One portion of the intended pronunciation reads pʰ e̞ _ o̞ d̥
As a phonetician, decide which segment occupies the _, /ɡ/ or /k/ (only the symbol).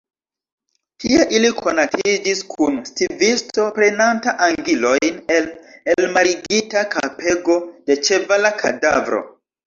ɡ